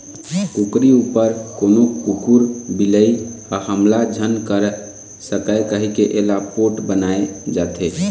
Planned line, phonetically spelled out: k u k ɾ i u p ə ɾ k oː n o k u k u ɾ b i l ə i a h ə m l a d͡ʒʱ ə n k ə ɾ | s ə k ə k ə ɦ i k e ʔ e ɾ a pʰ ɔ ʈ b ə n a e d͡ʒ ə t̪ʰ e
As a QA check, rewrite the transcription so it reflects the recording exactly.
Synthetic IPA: k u k ɾ i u p ə ɾ k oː n o k u k u ɾ b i l ə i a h ə m l a d͡ʒʱ ə n k ə ɾ | s ə k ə k ə ɦ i k e ʔ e l a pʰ o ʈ b ə n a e d͡ʒ a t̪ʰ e